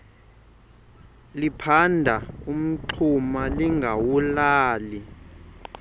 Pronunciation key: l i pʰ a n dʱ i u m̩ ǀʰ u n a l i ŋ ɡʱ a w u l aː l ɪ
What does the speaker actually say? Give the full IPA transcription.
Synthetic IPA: l i pʰ a n dʱ a u m̩ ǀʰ u m a l i ŋ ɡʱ a w u l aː l i

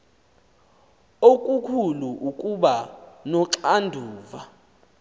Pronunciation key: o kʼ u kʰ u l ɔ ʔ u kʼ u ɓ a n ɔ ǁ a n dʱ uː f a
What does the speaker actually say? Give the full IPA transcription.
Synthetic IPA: o kʼ u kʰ u l u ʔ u kʼ u ɓ a n ɔ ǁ a n dʱ uː v a

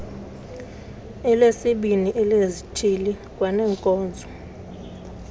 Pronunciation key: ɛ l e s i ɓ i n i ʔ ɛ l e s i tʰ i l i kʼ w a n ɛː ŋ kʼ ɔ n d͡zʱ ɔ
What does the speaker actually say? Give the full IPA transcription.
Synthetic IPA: ɛ l e s i ɓ i n i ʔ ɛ l e z i tʰ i l i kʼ w a n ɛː ŋ kʼ ɔː n d͡zʱ ɔ

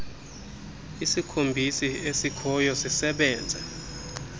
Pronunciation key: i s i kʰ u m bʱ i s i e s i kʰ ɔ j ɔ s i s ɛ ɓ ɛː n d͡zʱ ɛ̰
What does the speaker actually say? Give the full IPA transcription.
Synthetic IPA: i s i kʰ o m bʱ i s i e s i kʰ ɔ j ɔ s i s ɛ ɓ ɛː n d͡zʱ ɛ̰

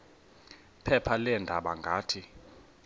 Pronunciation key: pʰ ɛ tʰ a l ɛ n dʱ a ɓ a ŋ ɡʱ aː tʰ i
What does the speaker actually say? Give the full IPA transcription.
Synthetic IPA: pʰ ɛ pʰ a l ɛ n dʱ a ɓ a ŋ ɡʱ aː tʰ i

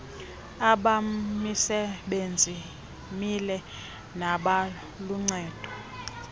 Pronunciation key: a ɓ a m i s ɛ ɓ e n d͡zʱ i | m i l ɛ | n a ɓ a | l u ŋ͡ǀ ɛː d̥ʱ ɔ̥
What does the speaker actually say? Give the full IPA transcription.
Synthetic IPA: a ɓ a m i s ɛ ɓ e n d͡zʱ i | m i l ɛ | n a ɓ a | l u ŋ͡ǀ ɛː d̥ʱ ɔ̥

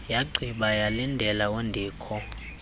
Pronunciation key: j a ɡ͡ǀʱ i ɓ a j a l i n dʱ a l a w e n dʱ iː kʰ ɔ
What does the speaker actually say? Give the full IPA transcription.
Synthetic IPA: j a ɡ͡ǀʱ i ɓ a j a l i n dʱ ɛ l a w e n dʱ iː kʰ ɔ

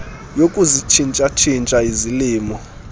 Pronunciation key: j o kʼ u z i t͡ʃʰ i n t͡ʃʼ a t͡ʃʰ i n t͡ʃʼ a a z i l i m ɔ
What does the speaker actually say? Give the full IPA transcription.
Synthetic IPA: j o kʼ u z i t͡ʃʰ i n t͡ʃʼ a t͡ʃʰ i n t͡ʃʼ a i z i l iː m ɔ

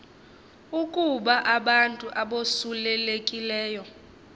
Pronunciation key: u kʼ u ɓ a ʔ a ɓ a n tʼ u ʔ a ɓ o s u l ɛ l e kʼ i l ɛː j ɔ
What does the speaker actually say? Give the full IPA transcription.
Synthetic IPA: u kʼ u ɓ a ʔ a ɓ a n tʼ u ʔ a ɓ o s u l ɛ l e kʼ i l ɛː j ɔ

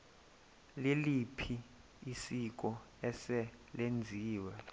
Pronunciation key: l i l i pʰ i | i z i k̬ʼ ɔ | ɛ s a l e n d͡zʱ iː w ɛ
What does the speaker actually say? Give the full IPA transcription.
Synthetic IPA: l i l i pʰ i | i s i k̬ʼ ɔ | ɛ s ɛ l e n d͡zʱ iː w ɛ

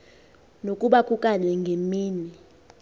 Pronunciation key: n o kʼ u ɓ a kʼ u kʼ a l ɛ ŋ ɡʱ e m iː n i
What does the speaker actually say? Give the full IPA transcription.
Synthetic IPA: n o kʼ u ɓ a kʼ u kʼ a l ɛ ŋ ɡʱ e m iː n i

